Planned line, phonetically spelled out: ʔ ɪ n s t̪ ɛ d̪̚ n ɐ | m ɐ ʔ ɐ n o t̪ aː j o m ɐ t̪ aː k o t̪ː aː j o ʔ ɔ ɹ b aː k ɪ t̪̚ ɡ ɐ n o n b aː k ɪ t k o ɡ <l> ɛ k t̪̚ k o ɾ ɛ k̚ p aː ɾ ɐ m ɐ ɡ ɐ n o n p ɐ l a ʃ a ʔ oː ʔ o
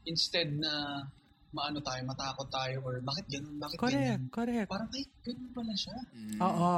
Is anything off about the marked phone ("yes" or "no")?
yes